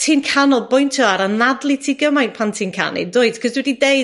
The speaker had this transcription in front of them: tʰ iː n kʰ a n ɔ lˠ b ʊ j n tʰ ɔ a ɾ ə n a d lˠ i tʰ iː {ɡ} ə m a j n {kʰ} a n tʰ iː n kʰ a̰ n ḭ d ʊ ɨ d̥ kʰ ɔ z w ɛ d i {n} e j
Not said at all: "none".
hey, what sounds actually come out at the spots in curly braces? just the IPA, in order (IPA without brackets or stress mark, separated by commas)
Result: ɡ, pʰ, d